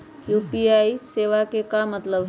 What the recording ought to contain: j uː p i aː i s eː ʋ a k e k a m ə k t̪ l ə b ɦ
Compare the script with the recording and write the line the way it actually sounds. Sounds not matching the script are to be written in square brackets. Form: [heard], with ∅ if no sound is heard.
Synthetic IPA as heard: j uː p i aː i s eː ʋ a k e k a m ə [∅] t̪ l ə b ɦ